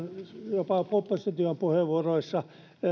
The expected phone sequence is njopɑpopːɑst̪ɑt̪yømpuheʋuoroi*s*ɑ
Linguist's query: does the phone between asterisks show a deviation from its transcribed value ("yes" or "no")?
yes